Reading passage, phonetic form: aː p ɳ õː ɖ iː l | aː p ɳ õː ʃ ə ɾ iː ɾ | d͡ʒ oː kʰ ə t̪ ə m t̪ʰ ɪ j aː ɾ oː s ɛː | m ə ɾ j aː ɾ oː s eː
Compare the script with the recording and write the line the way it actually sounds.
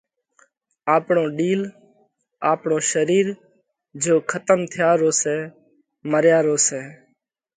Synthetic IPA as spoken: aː p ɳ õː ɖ iː l | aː p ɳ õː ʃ ə ɾ iː ɾ | d͡ʒ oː kʰ ə t̪ ə m t̪ʰ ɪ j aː ɾ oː s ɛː | m ə ɾ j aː ɾ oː s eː